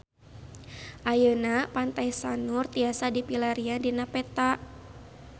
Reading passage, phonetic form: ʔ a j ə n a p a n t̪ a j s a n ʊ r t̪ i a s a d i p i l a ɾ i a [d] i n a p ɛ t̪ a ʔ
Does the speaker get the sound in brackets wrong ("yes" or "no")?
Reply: no